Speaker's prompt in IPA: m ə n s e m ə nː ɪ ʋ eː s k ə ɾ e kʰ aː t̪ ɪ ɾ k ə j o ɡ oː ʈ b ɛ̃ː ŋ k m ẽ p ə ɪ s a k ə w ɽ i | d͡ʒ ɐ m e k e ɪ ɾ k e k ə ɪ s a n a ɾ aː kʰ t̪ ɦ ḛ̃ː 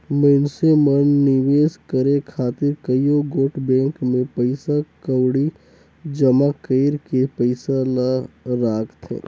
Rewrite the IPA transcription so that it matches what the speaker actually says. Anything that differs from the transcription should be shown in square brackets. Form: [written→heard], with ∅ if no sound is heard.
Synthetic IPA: m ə n s e m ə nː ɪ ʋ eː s k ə ɾ e kʰ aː t̪ ɪ ɾ k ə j o ɡ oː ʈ b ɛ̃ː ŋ k m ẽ p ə ɪ s a k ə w ɽ i | d͡ʒ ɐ m [e→a] k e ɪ ɾ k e [k→p] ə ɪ s a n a ɾ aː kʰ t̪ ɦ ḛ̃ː